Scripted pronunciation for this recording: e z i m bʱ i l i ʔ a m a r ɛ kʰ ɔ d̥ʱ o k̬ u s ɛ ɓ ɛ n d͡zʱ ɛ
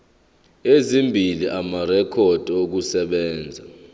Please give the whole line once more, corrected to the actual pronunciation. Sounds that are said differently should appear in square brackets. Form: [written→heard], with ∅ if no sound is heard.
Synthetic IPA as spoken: e z i m bʱ i l i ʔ a m a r ɛ kʰ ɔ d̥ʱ o k̬ u s ɛ ɓ [ɛ→ɛː] n d͡zʱ [ɛ→a]